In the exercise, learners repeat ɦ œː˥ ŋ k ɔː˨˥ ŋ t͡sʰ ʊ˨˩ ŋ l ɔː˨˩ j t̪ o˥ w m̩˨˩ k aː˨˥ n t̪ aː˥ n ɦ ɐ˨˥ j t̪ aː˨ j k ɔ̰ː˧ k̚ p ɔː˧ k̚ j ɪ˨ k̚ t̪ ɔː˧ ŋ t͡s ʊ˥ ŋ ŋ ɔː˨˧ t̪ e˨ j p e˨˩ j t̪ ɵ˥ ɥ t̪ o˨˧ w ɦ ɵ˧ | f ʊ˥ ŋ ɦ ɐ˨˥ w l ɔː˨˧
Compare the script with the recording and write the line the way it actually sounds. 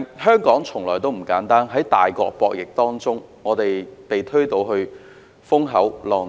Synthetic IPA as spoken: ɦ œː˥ ŋ k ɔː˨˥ ŋ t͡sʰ ʊ˨˩ ŋ l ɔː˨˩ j t̪ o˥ w m̩˨˩ k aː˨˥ n t̪ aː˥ n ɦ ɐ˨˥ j t̪ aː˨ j k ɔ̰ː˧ k̚ p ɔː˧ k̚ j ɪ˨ k̚ t̪ ɔː˥ ŋ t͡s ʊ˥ ŋ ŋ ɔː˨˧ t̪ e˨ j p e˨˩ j t̪ʰ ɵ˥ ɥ t̪ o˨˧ w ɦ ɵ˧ | f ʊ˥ ŋ ɦ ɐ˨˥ w l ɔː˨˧